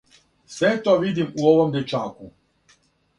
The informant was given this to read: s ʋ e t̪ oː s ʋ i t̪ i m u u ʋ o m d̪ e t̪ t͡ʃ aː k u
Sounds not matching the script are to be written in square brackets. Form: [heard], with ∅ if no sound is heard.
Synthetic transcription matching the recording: s ʋ e t̪ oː [∅] ʋ i [d̪] i m u [o] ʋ o m d̪ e [∅] t͡ʃ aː k u

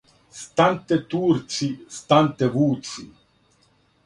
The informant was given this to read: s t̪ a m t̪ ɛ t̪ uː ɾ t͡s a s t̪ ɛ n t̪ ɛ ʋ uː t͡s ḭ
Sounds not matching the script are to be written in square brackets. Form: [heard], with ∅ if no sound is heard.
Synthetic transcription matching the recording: s t̪ a [n] t̪ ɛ t̪ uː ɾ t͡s [i] s t̪ [a] n t̪ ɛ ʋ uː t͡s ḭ

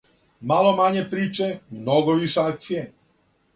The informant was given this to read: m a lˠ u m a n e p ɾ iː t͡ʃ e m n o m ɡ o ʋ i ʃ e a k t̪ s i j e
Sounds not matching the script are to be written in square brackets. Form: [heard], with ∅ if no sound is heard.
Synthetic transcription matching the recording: m a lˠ [o] m a [ɲ] e p ɾ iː t͡ʃ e m n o [∅] ɡ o ʋ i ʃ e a k t̪ s i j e

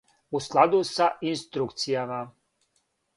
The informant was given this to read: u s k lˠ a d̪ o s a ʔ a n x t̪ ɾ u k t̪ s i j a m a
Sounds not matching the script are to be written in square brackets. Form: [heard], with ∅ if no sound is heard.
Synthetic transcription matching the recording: u s k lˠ a d̪ [u] s a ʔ [i] n [s] t̪ ɾ u k t̪ s i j a m a

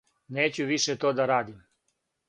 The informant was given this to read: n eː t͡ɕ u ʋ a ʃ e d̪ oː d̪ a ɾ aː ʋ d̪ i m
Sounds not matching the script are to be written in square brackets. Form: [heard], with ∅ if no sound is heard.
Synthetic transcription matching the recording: n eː t͡ɕ u ʋ [i] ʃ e [t̪] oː d̪ a ɾ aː [∅] d̪ i m

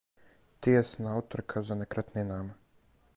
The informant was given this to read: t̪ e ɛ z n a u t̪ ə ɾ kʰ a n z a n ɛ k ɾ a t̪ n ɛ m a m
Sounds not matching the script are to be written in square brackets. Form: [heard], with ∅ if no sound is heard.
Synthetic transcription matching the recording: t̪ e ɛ [s] n a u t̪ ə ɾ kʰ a [∅] z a n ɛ k ɾ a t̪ n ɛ [n] a m

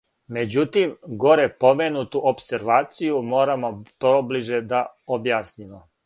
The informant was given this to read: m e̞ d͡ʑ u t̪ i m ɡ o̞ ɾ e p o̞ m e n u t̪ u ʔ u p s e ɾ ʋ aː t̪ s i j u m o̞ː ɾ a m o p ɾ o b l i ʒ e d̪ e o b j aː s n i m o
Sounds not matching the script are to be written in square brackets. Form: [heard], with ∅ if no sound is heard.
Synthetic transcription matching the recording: m e̞ d͡ʑ u t̪ i m ɡ o̞ ɾ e p o̞ m e n u t̪ u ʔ [o] p s e ɾ ʋ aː t̪ s i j u m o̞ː ɾ a m o p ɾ o b l i ʒ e d̪ [a] o b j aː s n i m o

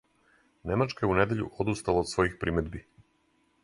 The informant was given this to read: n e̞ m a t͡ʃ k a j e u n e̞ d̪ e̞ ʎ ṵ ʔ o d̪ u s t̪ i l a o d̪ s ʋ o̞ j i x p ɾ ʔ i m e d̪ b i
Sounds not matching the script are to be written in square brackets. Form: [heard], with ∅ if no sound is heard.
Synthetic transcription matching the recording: n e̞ m a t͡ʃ k a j e u n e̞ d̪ e̞ ʎ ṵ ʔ o d̪ u s t̪ [a] l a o d̪ s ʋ o̞ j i x p ɾ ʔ i m e d̪ b i

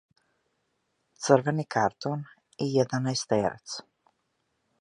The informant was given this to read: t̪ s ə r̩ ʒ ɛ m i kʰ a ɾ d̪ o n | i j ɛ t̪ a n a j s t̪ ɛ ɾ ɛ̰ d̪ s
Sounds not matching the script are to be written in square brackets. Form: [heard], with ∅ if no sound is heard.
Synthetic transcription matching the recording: t̪ s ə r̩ [v] ɛ [n] i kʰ a ɾ [t̪] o n | i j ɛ [d̪] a n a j s t̪ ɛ ɾ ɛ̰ [t̪] s

